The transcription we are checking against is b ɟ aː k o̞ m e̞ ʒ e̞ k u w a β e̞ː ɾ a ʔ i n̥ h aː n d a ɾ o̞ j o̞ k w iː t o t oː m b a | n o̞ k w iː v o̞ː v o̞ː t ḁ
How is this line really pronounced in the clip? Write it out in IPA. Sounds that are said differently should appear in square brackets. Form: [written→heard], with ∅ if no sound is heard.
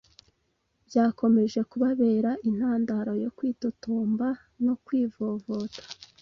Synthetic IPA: b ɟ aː k o̞ m e̞ ʒ e̞ k u [w→β] a β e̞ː ɾ a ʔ i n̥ h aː n d a ɾ o̞ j o̞ k w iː t o t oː m b a | n o̞ k w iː v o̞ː v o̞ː t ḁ